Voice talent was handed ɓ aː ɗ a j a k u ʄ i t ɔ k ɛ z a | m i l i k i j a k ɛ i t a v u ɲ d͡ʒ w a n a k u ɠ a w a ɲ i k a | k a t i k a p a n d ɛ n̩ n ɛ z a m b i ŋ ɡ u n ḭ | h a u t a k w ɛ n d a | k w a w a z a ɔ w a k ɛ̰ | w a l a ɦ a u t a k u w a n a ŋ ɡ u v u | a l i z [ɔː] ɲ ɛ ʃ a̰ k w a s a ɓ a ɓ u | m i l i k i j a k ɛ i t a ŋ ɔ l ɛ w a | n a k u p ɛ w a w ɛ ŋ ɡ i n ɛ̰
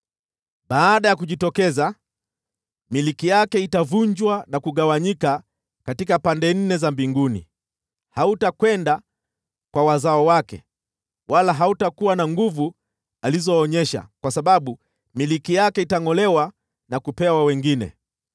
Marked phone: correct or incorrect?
correct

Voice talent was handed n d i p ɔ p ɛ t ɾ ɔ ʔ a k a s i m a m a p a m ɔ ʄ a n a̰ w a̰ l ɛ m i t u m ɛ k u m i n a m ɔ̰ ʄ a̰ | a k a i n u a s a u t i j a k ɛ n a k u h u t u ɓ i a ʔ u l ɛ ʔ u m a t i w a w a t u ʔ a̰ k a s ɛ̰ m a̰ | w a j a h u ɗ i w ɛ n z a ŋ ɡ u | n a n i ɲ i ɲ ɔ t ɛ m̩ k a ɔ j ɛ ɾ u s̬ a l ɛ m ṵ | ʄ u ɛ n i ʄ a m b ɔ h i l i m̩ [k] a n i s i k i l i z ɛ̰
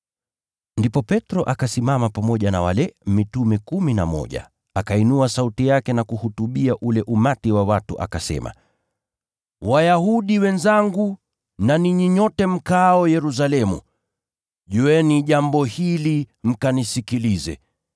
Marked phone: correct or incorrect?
correct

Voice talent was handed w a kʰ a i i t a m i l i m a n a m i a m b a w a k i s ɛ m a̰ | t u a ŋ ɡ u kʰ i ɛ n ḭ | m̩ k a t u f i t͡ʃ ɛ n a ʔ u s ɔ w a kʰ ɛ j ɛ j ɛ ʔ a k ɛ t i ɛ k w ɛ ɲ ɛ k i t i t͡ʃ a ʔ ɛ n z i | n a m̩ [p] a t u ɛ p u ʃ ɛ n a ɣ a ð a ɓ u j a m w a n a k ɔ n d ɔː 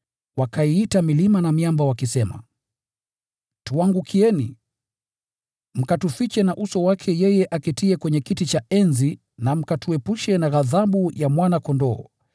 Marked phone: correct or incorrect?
incorrect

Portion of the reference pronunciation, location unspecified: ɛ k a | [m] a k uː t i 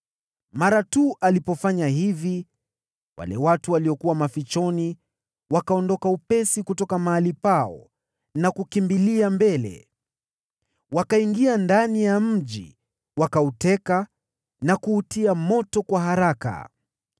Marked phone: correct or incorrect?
incorrect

